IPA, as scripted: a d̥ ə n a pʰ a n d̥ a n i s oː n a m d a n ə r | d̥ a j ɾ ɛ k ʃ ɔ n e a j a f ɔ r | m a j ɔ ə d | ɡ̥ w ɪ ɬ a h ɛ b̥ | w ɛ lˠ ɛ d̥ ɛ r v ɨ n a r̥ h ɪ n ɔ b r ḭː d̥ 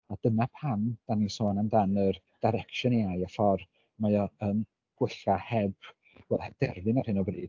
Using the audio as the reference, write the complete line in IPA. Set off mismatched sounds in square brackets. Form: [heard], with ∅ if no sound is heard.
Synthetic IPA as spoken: a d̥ ə n a pʰ a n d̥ a n i s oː n a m d a n ə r | d̥ a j ɾ ɛ k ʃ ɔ n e a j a f ɔ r | m a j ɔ ə [n] | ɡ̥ w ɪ ɬ a h ɛ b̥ | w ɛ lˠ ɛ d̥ ɛ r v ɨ n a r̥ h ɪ n ɔ b r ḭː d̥